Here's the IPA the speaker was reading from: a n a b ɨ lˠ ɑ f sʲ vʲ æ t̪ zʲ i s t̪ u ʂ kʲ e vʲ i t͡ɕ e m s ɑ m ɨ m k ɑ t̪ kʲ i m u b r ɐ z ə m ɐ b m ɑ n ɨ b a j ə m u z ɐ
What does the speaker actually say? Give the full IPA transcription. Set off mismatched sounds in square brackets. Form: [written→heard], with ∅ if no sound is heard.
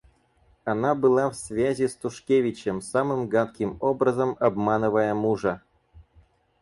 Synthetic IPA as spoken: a n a b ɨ lˠ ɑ f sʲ vʲ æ [t̪→∅] zʲ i s t̪ u ʂ kʲ e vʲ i t͡ɕ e m s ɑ m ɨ m [k→ɡ] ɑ t̪ kʲ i m [u→o] b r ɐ z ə m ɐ b m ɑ n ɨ [b→v] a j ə m u [z→ʐ] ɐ